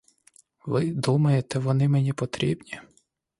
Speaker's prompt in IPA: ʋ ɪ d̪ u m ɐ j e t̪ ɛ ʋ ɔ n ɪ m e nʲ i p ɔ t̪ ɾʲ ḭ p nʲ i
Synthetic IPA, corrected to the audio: ʋ ɪ d̪ u m ɐ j e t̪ ɛ ʋ ɔ n ɪ m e nʲ i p ɔ t̪ ɾʲ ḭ b nʲ i